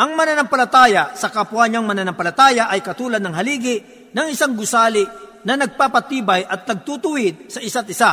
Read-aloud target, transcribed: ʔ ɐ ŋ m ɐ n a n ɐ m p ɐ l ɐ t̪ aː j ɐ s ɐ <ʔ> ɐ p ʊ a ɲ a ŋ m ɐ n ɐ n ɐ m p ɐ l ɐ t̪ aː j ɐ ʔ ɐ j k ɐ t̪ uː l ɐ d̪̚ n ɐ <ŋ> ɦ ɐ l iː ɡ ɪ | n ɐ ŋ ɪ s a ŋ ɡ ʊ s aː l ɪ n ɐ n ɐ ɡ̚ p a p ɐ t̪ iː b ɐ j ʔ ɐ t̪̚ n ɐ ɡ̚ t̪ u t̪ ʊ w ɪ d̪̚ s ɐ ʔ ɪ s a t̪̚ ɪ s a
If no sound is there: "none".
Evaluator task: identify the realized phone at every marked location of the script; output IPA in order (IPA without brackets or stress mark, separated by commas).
k, ŋ